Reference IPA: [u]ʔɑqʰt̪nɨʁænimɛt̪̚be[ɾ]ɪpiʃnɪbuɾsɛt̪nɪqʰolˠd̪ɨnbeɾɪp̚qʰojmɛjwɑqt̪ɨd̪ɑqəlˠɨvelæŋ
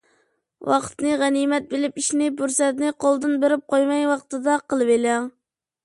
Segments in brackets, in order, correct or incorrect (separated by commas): incorrect, incorrect